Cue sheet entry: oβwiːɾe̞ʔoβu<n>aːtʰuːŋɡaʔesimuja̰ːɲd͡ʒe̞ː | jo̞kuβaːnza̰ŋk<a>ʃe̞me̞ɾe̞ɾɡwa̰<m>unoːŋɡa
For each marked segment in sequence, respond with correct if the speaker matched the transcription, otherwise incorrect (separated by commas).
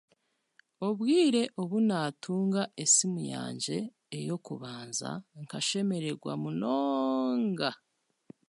correct, correct, correct